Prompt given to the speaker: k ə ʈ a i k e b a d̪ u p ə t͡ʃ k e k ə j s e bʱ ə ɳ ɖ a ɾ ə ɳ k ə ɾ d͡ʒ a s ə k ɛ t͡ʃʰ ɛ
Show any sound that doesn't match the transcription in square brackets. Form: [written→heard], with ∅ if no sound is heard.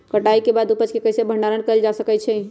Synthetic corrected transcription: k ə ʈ a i k e b a d̪ u p ə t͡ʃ k e k ə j s e bʱ ə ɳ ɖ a ɾ ə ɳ k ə [ɾ→l] d͡ʒ a s ə k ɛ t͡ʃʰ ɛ